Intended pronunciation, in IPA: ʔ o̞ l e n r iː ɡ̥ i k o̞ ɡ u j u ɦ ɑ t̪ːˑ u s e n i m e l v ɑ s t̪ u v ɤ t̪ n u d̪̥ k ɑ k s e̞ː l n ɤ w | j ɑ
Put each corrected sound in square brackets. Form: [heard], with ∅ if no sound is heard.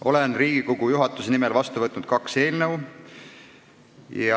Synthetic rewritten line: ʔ o̞ l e n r iː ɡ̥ i k o̞ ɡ u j u ɦ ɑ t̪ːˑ u s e n i m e l v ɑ s t̪ u v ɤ t̪ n u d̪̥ k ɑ k s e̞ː l n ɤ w | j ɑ